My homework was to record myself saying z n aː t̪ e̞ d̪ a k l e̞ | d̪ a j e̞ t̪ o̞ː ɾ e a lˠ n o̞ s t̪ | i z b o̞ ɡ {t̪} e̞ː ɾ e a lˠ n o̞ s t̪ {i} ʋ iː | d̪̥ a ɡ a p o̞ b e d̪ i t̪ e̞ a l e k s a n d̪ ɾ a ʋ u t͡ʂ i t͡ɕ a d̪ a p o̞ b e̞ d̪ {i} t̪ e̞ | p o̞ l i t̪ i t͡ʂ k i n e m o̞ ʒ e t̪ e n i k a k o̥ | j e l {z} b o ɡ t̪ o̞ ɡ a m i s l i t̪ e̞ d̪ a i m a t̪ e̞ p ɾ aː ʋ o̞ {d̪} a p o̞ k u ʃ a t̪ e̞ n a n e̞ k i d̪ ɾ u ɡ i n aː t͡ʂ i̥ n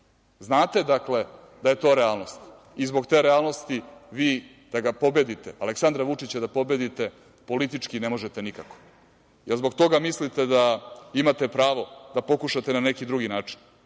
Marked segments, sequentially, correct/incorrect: correct, correct, correct, correct, correct

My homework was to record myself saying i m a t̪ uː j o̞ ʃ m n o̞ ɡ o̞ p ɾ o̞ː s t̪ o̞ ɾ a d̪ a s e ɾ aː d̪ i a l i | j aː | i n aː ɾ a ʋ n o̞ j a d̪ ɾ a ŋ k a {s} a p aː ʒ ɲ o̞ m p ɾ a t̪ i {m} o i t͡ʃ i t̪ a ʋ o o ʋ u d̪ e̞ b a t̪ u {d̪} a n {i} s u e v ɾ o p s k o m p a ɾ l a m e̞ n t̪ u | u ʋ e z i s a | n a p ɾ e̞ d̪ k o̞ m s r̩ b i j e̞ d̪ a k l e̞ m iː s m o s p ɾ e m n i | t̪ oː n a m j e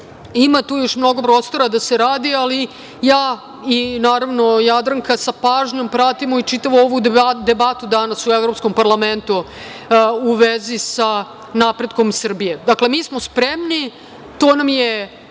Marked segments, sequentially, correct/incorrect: correct, correct, correct, incorrect

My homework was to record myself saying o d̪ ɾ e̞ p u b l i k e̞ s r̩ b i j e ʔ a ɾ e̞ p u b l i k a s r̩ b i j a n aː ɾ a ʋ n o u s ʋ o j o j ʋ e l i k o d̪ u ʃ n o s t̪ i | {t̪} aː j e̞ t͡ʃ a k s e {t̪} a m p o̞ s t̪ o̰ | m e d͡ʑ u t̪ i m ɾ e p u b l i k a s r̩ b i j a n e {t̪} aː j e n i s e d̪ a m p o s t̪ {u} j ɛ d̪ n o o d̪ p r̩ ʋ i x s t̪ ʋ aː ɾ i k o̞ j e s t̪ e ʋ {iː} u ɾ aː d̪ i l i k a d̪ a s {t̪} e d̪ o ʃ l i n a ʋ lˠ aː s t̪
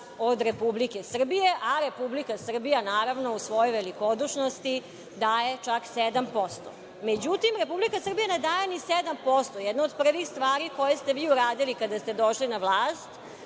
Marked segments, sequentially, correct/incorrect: incorrect, incorrect, incorrect, incorrect, correct, correct

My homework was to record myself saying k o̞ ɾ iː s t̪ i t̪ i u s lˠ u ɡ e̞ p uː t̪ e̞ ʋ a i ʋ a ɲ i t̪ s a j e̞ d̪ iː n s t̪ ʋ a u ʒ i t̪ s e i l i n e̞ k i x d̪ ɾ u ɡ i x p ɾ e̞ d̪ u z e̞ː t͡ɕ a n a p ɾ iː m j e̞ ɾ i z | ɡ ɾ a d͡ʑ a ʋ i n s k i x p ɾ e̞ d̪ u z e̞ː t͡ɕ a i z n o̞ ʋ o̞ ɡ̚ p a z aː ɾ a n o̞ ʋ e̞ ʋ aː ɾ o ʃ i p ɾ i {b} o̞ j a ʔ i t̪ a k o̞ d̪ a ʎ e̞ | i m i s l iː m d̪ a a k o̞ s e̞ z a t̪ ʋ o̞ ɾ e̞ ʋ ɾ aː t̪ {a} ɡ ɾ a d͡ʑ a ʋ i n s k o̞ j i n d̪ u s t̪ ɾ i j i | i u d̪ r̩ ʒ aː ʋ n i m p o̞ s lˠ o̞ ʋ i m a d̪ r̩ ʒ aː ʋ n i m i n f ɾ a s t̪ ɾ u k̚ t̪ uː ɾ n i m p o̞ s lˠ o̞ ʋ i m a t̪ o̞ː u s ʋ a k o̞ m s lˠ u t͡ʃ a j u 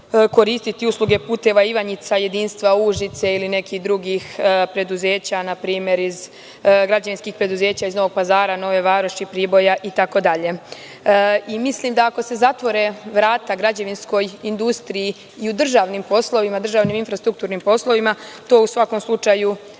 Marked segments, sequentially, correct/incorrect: correct, correct

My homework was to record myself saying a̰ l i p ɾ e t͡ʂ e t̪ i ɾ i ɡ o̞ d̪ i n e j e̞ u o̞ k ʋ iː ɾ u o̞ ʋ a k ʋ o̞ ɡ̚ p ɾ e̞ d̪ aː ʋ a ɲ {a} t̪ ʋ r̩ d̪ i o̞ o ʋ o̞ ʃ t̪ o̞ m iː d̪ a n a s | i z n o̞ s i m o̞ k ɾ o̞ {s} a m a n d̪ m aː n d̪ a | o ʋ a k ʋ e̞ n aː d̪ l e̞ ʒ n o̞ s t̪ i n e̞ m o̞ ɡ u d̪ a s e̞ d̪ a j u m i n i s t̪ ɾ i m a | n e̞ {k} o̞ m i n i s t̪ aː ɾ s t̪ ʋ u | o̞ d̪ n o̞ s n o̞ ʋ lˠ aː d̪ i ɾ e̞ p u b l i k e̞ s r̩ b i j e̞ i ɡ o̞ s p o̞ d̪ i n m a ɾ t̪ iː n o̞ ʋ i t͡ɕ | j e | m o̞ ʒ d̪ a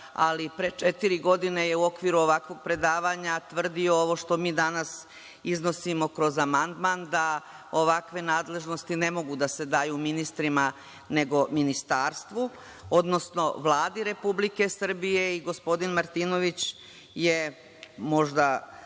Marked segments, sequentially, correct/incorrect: correct, incorrect, incorrect

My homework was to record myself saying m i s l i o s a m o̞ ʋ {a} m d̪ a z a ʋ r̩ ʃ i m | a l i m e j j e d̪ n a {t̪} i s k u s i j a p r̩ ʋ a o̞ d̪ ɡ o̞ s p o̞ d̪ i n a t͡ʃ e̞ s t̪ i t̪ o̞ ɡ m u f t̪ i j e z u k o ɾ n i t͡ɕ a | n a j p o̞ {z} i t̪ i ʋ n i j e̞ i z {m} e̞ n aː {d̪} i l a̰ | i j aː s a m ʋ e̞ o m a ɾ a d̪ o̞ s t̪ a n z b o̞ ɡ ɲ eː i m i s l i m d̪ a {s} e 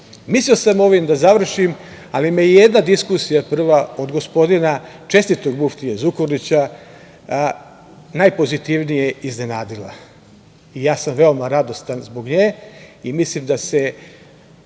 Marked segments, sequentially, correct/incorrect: incorrect, incorrect, correct, incorrect, correct, correct

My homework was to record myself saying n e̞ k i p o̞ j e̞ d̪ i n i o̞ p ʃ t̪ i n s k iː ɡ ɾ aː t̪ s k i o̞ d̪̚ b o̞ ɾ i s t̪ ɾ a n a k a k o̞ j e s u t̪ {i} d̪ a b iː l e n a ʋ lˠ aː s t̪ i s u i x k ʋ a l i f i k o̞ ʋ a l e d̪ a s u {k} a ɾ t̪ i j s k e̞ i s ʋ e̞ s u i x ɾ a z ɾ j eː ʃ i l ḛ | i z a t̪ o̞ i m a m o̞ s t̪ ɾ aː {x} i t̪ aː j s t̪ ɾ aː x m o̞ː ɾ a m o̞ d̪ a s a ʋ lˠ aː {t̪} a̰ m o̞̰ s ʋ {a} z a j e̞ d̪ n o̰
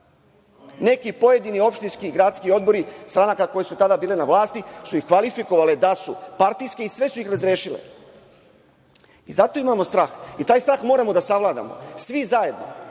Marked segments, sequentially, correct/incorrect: incorrect, incorrect, correct, incorrect, incorrect

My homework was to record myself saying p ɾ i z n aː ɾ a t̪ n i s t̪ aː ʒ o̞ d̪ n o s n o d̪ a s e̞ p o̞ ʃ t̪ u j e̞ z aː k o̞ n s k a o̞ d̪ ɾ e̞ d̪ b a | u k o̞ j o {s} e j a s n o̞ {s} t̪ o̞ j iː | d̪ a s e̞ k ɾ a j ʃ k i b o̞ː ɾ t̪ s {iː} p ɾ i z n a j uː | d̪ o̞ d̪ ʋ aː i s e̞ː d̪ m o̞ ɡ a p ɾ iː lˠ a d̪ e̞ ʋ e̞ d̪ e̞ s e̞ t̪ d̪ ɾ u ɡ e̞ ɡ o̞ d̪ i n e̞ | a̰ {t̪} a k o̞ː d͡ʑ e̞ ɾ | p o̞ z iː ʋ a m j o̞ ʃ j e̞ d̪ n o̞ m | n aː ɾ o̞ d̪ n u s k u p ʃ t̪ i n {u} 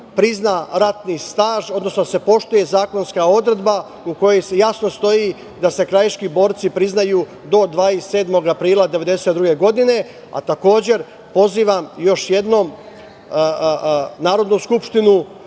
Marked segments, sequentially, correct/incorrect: correct, correct, incorrect, correct, correct

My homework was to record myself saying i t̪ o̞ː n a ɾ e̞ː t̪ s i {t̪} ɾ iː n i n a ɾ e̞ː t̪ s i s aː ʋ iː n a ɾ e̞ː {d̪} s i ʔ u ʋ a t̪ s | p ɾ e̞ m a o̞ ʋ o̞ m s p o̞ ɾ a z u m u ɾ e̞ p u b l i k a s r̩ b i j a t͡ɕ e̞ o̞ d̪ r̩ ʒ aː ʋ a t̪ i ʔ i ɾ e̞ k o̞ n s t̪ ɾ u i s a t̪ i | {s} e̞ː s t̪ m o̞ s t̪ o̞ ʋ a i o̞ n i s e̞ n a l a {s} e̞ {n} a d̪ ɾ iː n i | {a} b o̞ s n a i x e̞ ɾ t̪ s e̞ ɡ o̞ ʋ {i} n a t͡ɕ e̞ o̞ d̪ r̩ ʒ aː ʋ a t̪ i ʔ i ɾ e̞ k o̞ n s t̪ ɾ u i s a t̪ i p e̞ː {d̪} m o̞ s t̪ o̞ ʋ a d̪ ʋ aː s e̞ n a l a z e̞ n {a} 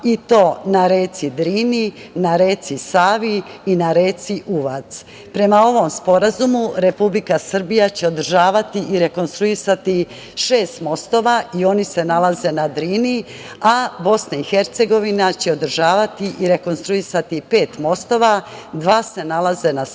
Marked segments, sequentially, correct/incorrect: incorrect, incorrect, incorrect, incorrect, correct, correct, correct, incorrect, correct

